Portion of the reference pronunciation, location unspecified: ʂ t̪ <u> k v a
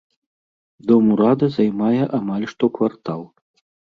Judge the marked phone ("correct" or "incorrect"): incorrect